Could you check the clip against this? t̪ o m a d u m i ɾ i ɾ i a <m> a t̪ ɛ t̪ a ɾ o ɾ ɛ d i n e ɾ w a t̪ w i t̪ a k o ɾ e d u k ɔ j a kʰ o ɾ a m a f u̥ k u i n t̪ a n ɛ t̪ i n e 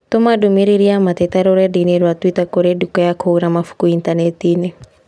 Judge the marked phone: correct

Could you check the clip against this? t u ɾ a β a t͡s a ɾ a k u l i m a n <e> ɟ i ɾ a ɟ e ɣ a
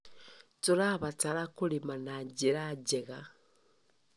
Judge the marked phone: incorrect: a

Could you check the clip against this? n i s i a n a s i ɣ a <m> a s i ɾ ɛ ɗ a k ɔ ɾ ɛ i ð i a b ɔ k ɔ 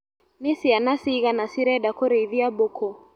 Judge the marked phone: incorrect: n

